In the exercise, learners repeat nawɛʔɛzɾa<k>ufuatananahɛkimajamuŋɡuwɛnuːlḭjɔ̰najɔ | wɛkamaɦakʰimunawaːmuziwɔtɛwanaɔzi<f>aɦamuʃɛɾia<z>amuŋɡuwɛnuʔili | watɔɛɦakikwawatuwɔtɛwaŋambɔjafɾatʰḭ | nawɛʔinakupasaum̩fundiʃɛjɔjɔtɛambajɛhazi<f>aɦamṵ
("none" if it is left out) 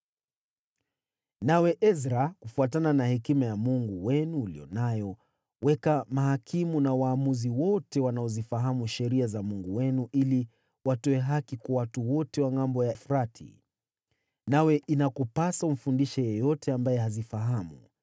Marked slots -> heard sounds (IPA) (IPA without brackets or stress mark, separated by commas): k, f, z, f